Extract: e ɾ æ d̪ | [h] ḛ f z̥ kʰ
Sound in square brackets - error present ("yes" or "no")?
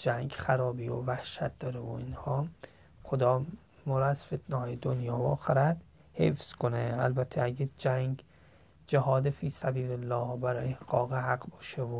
no